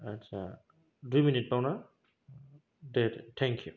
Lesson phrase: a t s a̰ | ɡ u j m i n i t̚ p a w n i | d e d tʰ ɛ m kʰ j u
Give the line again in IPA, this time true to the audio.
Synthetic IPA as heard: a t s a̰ | d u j m i n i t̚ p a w n a | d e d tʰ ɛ ŋ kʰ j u